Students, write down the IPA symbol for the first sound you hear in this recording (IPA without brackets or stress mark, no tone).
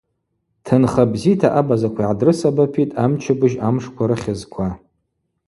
tʰ